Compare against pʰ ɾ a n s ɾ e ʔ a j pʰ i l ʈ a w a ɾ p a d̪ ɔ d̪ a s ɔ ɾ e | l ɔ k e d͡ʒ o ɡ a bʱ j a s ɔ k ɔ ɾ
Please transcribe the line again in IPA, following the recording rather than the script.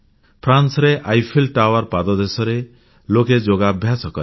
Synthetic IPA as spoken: pʰ ɾ a n s ɾ e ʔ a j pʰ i l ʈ a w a ɾ p a d̪ ɔ d̪ e s ɔ ɾ e | l o k e d͡ʒ o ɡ a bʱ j a s ɔ k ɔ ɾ